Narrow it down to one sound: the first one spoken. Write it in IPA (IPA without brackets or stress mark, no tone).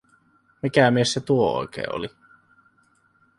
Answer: m